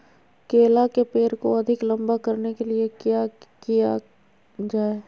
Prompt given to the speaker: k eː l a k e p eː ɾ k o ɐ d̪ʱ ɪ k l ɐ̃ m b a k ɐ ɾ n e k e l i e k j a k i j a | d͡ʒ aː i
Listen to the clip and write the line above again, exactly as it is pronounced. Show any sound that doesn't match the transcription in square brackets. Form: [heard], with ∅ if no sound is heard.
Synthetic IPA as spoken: k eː l a k e p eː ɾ k o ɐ d̪ʱ ɪ k l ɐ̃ m b a k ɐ ɾ n e k e l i e k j a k i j a | d͡ʒ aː [e]